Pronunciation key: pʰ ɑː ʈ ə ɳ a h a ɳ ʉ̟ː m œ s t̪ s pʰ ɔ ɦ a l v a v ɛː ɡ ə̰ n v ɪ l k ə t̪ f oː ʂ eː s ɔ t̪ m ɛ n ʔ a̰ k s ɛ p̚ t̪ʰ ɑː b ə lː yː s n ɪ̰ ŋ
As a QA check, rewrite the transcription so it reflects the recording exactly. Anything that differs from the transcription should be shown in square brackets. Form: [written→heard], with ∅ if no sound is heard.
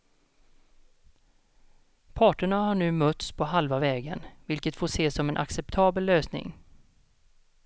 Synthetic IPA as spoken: pʰ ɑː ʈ ə ɳ a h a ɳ ʉ̟ː m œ [s→∅] t̪ s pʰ ɔ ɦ a l v a v ɛː ɡ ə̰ n v ɪ l k ə t̪ f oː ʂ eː s ɔ [t̪→∅] m ɛ n ʔ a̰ k s ɛ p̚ t̪ʰ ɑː b ə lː [yː→øː] s n ɪ̰ ŋ